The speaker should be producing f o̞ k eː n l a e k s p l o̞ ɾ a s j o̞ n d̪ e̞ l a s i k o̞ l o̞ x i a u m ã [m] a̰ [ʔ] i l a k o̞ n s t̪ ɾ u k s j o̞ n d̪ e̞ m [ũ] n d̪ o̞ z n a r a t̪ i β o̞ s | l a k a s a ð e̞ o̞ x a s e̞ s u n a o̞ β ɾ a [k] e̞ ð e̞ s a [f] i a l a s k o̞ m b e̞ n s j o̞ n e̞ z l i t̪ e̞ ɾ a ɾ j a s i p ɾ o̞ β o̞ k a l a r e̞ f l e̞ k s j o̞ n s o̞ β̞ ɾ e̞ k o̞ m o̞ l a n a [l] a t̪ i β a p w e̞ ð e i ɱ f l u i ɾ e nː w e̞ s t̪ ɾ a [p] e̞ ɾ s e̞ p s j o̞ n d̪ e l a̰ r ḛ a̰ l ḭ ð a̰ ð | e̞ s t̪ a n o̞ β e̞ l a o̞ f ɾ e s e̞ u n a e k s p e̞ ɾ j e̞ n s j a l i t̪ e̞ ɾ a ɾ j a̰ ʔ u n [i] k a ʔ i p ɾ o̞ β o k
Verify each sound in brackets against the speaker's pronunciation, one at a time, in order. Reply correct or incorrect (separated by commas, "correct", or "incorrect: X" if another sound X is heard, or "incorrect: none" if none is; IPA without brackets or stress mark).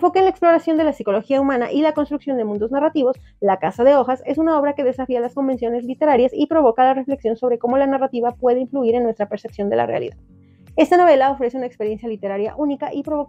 incorrect: n, correct, correct, correct, correct, incorrect: r, correct, correct